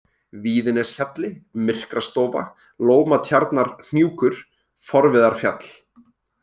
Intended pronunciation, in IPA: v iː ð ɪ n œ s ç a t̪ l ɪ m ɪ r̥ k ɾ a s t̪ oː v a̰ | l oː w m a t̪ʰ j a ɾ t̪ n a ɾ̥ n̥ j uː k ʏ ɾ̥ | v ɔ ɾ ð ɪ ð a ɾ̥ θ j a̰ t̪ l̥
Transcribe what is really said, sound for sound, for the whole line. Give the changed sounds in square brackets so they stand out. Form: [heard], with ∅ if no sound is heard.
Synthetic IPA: v iː ð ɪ n [ɛ] s ç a t̪ l ɪ m ɪ r̥ k ɾ a s t̪ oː v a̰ | l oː w m a t̪ʰ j a ɾ t̪ n a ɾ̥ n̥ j uː k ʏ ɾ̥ | [f] ɔ ɾ [v] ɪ ð a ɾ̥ [f] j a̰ t̪ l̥